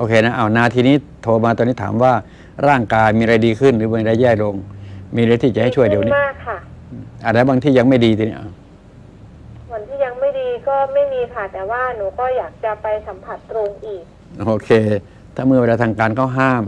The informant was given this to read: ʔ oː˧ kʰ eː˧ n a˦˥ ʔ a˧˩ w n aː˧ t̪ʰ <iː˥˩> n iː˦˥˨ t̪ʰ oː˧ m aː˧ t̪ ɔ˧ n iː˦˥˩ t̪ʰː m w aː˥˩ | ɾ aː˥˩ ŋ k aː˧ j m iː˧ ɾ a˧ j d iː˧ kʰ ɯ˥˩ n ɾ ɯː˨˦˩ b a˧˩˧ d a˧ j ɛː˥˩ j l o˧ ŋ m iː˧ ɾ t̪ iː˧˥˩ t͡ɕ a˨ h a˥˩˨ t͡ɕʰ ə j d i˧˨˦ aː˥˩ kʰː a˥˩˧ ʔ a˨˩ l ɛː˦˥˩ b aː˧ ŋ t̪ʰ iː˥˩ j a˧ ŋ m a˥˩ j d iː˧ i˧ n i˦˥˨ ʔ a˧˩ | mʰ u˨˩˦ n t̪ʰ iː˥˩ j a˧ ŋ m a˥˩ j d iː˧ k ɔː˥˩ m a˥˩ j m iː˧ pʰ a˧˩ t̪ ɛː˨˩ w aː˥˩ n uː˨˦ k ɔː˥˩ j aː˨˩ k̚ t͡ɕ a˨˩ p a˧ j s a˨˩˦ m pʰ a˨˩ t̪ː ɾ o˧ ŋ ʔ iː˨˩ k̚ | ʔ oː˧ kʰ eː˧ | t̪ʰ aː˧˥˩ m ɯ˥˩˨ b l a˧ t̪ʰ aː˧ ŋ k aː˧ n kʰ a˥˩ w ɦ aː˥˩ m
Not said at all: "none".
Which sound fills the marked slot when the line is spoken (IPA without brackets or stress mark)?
iː˧